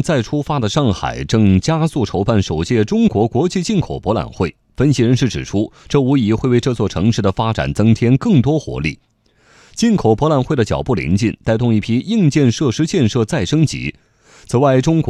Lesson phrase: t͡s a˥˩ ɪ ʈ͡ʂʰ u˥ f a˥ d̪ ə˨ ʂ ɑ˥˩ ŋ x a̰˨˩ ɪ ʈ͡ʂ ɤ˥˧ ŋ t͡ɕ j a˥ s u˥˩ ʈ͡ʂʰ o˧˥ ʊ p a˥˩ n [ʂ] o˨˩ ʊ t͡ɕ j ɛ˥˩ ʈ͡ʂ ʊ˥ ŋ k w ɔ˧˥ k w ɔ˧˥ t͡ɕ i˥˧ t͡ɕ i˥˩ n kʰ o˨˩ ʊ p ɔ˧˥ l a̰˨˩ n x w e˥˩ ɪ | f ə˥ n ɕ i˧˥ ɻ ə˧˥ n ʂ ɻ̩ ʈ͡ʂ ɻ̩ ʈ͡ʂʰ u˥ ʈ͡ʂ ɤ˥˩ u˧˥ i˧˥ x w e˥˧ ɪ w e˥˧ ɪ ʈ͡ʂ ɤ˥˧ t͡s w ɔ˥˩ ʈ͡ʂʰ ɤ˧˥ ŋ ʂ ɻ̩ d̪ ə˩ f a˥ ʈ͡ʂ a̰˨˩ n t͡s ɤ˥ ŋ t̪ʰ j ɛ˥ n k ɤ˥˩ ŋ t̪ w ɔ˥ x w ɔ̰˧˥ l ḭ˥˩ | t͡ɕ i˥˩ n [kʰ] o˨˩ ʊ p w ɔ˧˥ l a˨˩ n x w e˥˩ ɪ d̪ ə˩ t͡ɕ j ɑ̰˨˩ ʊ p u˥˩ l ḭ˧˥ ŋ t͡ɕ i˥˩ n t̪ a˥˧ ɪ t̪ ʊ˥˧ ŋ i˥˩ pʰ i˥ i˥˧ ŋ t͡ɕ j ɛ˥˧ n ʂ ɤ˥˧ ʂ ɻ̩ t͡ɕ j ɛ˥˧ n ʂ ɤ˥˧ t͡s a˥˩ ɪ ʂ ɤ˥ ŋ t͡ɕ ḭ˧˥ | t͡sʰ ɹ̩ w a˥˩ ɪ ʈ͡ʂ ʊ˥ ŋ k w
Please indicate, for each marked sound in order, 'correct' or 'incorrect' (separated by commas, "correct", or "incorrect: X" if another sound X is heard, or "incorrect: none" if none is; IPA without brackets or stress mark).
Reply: correct, correct